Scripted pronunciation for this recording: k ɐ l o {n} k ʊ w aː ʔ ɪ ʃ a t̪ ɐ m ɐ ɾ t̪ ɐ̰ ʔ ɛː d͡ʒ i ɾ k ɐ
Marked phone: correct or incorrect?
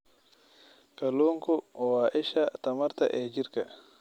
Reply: incorrect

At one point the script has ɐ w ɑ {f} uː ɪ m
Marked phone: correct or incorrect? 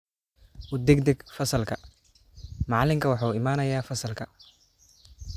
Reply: incorrect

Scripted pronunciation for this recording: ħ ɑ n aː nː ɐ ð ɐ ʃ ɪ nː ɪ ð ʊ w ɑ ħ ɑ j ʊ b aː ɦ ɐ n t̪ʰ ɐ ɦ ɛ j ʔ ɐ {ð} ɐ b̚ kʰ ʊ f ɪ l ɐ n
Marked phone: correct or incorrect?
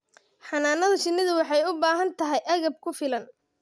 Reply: incorrect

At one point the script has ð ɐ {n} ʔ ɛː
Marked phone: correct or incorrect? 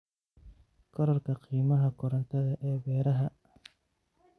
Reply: incorrect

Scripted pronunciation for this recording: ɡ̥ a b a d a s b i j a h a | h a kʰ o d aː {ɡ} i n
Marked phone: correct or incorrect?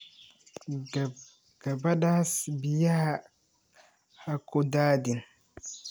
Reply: incorrect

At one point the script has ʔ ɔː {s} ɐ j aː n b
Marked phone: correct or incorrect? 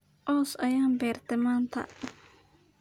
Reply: correct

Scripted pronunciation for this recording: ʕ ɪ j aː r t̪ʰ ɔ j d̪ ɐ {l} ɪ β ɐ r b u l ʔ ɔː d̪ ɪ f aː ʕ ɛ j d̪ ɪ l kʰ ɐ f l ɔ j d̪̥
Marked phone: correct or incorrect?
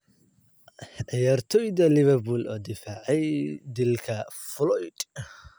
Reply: correct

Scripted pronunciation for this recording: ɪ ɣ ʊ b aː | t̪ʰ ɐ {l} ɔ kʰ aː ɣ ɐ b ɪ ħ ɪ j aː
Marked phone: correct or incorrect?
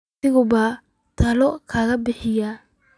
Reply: correct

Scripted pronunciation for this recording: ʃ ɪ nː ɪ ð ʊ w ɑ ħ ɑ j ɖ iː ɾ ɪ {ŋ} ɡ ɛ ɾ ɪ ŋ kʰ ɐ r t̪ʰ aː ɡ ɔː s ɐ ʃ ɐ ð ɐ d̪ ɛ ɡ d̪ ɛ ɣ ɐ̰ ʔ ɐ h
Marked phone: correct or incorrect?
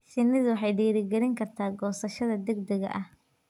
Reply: incorrect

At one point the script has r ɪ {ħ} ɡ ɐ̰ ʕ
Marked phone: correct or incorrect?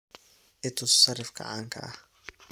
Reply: incorrect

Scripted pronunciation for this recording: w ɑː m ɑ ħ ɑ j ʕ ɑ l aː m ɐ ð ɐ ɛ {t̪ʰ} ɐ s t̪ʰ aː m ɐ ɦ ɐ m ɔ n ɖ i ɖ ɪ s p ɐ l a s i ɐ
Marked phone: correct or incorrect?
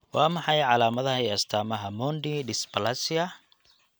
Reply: incorrect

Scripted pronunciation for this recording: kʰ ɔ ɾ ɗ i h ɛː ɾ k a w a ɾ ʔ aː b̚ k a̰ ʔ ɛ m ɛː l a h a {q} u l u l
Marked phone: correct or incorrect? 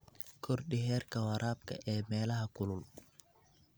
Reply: incorrect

